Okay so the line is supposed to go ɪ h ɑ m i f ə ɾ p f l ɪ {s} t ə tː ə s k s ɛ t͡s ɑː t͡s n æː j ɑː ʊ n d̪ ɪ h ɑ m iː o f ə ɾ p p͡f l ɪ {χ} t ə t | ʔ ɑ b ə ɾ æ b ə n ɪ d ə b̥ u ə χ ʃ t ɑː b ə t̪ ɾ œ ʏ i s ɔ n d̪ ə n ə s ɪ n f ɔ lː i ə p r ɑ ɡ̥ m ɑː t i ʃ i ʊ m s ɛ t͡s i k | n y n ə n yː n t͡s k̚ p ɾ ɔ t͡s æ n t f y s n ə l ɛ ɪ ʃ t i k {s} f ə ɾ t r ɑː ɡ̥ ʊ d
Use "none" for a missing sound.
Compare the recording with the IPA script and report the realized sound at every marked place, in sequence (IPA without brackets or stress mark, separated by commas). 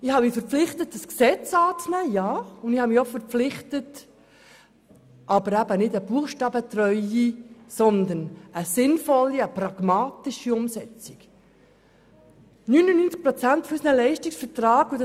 χ, χ, s